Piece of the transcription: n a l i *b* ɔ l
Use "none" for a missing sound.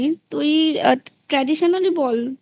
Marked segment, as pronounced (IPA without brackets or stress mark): b